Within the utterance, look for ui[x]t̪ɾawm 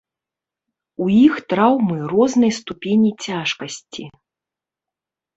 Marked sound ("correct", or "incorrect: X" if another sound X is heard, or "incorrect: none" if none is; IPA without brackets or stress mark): correct